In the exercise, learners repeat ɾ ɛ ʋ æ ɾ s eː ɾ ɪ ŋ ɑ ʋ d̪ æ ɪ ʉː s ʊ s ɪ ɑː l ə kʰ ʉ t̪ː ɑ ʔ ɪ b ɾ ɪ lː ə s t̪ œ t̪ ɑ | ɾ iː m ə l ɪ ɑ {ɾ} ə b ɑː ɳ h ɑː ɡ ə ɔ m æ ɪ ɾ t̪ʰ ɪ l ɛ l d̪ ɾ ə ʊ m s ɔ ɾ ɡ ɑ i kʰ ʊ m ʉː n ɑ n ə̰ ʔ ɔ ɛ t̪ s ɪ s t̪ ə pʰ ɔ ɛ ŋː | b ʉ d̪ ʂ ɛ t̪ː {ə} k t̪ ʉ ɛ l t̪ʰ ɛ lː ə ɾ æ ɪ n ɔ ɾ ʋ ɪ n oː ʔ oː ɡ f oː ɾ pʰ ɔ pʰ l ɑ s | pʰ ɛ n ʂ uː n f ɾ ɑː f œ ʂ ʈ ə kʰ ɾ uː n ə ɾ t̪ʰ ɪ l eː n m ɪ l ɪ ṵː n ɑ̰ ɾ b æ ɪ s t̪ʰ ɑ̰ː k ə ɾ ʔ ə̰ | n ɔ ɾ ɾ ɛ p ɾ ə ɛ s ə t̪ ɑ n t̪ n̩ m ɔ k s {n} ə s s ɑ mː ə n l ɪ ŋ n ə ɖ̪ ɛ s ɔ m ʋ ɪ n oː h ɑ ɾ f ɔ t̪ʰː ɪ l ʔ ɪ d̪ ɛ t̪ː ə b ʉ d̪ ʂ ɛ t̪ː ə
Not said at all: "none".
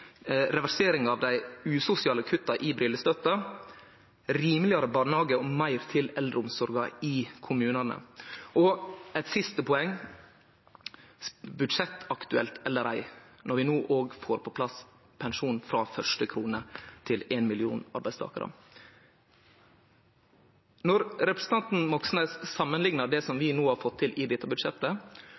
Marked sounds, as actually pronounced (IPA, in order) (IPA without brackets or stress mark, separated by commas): ɾ, ɑ, n